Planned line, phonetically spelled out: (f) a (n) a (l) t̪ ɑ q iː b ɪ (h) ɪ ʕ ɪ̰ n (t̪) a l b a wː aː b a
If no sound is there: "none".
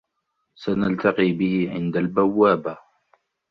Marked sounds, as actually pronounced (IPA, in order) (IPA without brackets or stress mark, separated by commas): s, n, l, h, d̪